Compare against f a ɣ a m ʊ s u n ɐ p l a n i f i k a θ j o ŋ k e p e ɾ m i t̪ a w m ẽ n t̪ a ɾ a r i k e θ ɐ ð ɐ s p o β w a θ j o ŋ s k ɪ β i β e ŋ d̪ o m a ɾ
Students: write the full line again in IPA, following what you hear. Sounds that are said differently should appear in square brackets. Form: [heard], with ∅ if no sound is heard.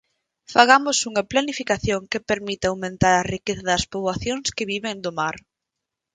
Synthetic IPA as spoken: f a ɣ a m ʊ s u [ŋ] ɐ p l a n i f i k a θ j o ŋ k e p e ɾ m i t̪ a w m ẽ n t̪ a ɾ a r i k e θ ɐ ð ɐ s p o β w a θ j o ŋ s k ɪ β i β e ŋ d̪ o m a ɾ

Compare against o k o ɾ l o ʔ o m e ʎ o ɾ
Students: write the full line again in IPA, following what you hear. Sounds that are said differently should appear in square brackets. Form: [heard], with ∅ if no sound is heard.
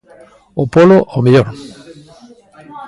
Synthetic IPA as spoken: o [p] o [∅] l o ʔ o m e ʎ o ɾ

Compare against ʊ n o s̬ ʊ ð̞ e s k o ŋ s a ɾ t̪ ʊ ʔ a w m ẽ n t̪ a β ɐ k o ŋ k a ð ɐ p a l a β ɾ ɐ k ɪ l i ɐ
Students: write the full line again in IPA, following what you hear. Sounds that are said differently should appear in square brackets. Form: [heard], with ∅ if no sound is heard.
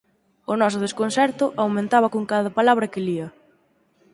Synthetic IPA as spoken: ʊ n [ɔ] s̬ ʊ ð̞ e s k o [n] s [ɛ] ɾ t̪ ʊ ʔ a w m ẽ n t̪ a β ɐ k o ŋ k a ð ɐ p a l a β ɾ ɐ k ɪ l i ɐ

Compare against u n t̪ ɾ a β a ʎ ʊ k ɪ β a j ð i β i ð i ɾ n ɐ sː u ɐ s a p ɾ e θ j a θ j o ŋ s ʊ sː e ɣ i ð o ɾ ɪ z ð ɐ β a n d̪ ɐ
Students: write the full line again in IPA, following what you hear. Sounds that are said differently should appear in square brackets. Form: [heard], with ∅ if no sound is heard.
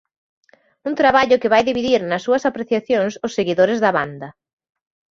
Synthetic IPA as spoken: u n t̪ ɾ a β a ʎ ʊ k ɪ β a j ð i β i ð i ɾ n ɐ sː u ɐ s a p ɾ e θ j a θ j o ŋ s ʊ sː e ɣ i ð o ɾ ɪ z ð ɐ β a n d̪ ɐ

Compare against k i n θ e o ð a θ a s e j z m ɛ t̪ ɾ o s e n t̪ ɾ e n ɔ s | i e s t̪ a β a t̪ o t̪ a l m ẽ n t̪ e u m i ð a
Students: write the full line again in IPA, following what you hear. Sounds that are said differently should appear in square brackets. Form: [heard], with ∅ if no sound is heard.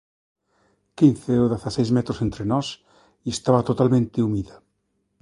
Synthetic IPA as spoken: k i n θ e o ð a θ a s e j z m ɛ t̪ ɾ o s e n t̪ ɾ e n ɔ s | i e s t̪ a β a t̪ o t̪ a l m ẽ n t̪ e u m i ð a

